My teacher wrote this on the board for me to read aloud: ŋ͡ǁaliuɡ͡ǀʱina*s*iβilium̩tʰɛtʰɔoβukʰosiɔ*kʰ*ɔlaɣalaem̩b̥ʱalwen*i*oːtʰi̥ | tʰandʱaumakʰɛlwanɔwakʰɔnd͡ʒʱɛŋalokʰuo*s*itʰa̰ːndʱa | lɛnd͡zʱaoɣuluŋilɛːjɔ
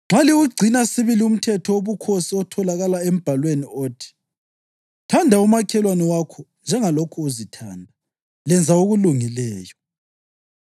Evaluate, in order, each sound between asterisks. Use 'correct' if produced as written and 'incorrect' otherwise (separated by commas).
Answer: correct, incorrect, correct, incorrect